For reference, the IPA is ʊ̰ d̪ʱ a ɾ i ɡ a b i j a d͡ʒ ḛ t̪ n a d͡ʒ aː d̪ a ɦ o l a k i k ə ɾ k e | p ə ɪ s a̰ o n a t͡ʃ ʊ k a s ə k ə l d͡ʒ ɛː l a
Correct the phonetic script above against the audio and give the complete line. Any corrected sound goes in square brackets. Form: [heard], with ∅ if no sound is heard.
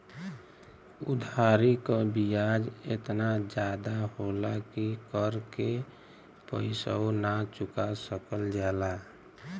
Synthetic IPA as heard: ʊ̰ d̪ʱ a ɾ i [k] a b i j a d͡ʒ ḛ t̪ n a d͡ʒ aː d̪ a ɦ o l a k i k ə ɾ k e | p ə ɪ s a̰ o n a t͡ʃ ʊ k a s ə k ə l d͡ʒ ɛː l a

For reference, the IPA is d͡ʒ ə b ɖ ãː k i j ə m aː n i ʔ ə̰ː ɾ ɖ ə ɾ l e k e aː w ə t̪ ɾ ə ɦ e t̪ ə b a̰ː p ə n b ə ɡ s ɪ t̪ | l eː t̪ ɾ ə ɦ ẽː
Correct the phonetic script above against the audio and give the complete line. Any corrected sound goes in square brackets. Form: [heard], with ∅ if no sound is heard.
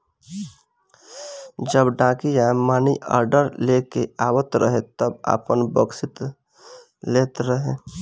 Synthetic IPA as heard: d͡ʒ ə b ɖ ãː k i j [a] m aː n i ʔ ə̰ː ɾ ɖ ə ɾ l e k e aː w ə t̪ ɾ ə ɦ e t̪ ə b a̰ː p ə n b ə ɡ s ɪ t̪ | l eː t̪ ɾ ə ɦ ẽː

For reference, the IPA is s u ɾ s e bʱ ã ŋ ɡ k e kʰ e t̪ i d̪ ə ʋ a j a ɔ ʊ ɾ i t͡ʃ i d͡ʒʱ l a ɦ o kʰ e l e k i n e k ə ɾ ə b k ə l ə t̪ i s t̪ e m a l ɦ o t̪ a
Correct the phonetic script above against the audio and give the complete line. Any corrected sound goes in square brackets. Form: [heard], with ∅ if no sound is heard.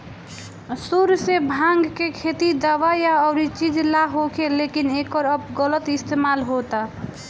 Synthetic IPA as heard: s u ɾ s e bʱ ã ŋ ɡ k e kʰ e t̪ i d̪ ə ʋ a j a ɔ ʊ ɾ i t͡ʃ i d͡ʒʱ l a ɦ o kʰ e l e k i n e k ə ɾ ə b [ɡ] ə l ə t̪ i s t̪ e m a l ɦ o t̪ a

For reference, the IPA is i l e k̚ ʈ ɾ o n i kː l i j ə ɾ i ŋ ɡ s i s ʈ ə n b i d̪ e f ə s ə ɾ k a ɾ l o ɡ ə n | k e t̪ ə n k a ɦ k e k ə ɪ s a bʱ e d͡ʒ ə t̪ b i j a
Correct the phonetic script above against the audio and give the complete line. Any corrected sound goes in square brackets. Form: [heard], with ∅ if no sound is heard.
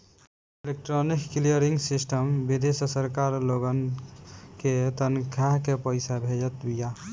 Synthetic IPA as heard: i l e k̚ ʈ ɾ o n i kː l i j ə ɾ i ŋ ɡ s i s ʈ ə [m] b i d̪ e [s] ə s ə ɾ k a ɾ l o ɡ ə n | k e t̪ ə n [kʰ] a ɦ k e [p] ə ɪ s a bʱ e d͡ʒ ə t̪ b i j a

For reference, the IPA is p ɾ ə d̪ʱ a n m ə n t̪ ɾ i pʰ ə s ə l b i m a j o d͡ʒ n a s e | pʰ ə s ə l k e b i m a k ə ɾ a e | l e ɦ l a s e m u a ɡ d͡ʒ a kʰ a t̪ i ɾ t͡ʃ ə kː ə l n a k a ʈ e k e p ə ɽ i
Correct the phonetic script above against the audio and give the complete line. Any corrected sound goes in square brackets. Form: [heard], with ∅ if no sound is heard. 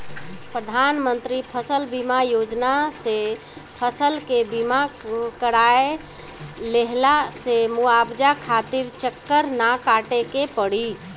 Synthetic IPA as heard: p ɾ ə d̪ʱ a n m ə n t̪ ɾ i pʰ ə s ə l b i m a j o d͡ʒ n a s e | pʰ ə s ə l k e b i m a k ə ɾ a e | l e ɦ l a s e m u a [b] d͡ʒ a kʰ a t̪ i ɾ t͡ʃ ə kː ə [ɾ] n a k a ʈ e k e p ə ɽ i

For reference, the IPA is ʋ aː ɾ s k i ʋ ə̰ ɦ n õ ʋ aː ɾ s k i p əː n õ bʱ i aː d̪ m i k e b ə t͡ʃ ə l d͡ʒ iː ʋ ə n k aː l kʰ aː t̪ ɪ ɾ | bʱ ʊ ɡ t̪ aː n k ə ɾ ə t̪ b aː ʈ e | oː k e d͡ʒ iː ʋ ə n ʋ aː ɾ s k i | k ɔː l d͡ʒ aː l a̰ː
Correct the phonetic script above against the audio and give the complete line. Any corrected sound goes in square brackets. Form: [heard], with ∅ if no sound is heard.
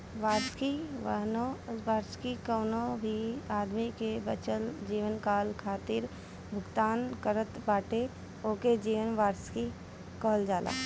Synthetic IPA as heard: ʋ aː ɾ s k i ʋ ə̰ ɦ n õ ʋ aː ɾ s k i [k] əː n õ bʱ i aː d̪ m i k e b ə t͡ʃ ə l d͡ʒ iː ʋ ə n k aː l kʰ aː t̪ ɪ ɾ | bʱ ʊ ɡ t̪ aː n k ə ɾ ə t̪ b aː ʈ e | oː k e d͡ʒ iː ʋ ə n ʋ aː ɾ s k i | k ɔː l d͡ʒ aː l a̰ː

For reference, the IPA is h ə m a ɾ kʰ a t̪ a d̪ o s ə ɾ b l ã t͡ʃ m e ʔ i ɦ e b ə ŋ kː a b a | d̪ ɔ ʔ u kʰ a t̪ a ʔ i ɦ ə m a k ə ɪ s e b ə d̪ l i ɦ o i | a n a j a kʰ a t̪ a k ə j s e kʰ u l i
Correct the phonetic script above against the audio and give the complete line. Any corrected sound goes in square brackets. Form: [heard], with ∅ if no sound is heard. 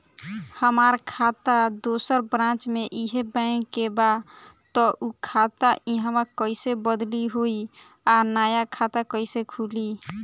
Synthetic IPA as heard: h ə m a ɾ kʰ a t̪ a d̪ o s ə ɾ b [ɾ] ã t͡ʃ m e ʔ i ɦ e b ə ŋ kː [e] b a | [t̪] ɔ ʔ u kʰ a t̪ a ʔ i ɦ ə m a k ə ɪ s e b ə d̪ l i ɦ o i | a n a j a kʰ a t̪ a k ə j s e kʰ u l i

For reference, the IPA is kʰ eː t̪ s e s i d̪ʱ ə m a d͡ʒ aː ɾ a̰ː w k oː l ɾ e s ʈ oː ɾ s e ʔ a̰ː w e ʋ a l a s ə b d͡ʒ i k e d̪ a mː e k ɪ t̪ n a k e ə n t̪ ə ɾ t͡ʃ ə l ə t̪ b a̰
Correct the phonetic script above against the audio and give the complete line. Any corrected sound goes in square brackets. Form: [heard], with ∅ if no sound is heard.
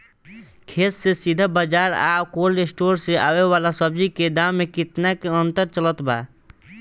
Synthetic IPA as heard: kʰ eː t̪ s e s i d̪ʱ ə [b] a d͡ʒ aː ɾ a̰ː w k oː l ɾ e s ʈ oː ɾ s e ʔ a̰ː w e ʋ a l a s ə b d͡ʒ i k e d̪ a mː e k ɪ t̪ n a k e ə n t̪ ə ɾ t͡ʃ ə l ə t̪ b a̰

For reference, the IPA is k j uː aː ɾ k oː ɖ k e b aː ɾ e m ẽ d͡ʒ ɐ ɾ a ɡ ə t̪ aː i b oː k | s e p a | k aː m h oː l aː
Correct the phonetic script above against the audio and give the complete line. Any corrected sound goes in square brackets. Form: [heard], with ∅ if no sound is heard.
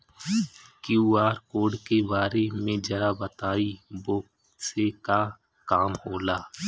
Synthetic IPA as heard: k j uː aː ɾ k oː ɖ k e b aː ɾ e m ẽ d͡ʒ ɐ ɾ a [b] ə t̪ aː i b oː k | s e [k] a | k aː m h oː l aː

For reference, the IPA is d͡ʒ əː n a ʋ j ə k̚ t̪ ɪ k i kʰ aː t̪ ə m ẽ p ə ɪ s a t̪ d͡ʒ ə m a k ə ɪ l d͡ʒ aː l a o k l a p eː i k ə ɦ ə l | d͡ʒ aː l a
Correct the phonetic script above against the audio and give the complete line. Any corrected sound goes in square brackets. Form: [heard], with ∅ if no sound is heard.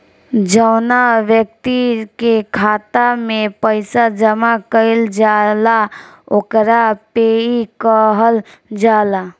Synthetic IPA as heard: d͡ʒ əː n a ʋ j ə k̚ t̪ [i] k [e] kʰ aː t̪ [a] m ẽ p ə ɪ s a [∅] d͡ʒ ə m a k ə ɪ l d͡ʒ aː l a o k [ɾ] a p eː i k ə ɦ ə l | d͡ʒ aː l a

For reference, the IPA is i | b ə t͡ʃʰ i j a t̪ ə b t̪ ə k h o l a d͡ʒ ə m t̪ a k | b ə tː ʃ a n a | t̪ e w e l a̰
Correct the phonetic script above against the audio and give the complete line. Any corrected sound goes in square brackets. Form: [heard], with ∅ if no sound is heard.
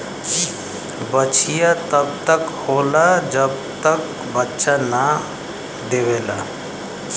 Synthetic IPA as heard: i | b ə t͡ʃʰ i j a t̪ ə b t̪ ə k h o l a d͡ʒ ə [b] t̪ [ə] k | b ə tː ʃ a n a | [d̪] e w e l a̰

